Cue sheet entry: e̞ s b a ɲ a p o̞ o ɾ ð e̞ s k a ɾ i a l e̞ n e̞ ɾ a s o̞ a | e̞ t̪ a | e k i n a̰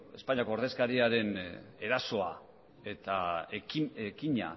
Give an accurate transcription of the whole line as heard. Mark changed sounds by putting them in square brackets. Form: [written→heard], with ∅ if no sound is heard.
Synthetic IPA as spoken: e̞ s [b→p] a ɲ a [p→k] o̞ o ɾ ð e̞ s k a ɾ i a [l→ɾ] e̞ n e̞ ɾ a s o̞ a | e̞ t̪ a | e k i [n→ɲ] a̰